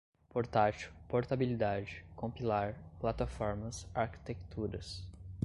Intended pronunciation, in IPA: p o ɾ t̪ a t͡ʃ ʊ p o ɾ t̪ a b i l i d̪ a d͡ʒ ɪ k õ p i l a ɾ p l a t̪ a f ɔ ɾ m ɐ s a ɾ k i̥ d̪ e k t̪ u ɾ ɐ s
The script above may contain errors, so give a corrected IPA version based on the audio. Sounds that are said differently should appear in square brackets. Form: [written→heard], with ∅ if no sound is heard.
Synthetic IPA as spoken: p o ɾ t̪ a t͡ʃ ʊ p o ɾ t̪ a b i l i d̪ a d͡ʒ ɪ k õ p i l a ɾ p l a t̪ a f ɔ ɾ m ɐ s a ɾ k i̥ [d̪→t̪] e k t̪ u ɾ ɐ s